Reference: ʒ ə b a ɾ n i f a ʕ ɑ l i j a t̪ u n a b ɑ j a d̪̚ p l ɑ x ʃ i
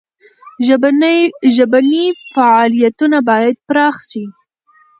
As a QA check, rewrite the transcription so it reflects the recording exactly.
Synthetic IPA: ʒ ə b a n i f a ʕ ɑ l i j a t̪ u n a b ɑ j a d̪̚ p ɾ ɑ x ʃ i